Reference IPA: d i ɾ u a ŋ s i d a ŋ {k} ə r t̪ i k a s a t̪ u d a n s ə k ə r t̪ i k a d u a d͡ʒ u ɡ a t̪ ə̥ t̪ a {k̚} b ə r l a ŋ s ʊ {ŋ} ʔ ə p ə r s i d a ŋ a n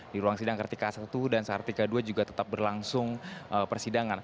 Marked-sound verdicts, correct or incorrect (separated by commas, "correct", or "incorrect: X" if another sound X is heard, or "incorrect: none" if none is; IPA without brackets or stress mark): correct, incorrect: p̚, correct